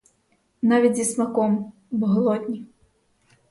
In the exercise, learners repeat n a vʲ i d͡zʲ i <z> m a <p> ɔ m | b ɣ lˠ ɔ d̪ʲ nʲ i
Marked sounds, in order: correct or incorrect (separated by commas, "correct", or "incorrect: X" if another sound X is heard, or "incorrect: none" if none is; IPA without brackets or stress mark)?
incorrect: s, incorrect: k